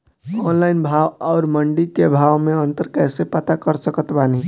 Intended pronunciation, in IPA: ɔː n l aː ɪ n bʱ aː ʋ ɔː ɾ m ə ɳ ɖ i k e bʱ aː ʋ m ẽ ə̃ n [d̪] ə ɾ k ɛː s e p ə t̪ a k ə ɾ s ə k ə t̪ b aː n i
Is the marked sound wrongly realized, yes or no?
yes